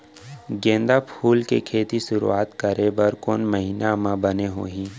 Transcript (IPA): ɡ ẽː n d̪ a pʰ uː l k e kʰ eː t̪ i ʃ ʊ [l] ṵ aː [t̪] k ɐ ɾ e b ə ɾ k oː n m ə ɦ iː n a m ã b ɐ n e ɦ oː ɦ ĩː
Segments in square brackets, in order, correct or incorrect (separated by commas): incorrect, correct